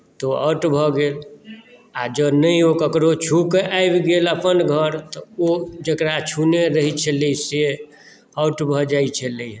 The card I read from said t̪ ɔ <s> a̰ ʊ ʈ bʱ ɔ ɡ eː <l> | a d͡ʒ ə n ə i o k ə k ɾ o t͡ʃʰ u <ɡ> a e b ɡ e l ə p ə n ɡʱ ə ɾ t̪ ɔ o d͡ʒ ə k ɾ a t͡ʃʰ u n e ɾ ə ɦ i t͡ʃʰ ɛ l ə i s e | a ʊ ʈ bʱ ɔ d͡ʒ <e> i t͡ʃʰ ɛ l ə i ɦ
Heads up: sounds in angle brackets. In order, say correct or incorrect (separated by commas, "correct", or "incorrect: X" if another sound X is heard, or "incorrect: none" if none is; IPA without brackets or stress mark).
incorrect: none, correct, incorrect: k, incorrect: a